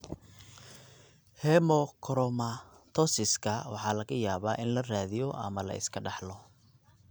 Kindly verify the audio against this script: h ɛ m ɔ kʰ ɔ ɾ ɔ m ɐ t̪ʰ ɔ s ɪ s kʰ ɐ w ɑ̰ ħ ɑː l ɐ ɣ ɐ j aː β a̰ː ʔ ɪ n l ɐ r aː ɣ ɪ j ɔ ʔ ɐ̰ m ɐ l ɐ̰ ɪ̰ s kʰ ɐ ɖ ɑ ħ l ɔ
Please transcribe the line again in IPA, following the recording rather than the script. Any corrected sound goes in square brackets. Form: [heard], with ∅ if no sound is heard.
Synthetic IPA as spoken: h ɛ m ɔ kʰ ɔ ɾ ɔ m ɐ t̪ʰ ɔ s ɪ s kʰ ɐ w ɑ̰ ħ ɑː l ɐ ɣ ɐ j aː β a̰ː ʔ ɪ n l ɐ r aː [ð] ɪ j ɔ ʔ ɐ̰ m ɐ l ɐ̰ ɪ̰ s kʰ ɐ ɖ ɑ ħ l ɔ